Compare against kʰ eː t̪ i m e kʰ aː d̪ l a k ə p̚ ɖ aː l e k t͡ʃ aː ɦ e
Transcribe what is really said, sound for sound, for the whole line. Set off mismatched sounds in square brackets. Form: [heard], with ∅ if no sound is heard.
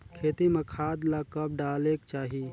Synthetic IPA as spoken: kʰ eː t̪ i m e kʰ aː d̪ l a k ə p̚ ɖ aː l e k t͡ʃ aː ɦ [i]